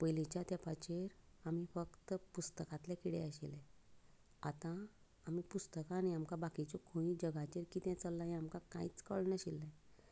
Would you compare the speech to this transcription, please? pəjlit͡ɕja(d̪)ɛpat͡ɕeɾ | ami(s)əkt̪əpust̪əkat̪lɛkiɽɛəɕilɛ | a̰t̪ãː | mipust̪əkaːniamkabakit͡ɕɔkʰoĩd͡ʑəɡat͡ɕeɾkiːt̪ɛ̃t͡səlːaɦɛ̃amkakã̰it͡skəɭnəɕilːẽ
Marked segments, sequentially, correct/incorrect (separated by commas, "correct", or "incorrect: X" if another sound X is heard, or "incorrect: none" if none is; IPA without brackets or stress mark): incorrect: t̪, incorrect: f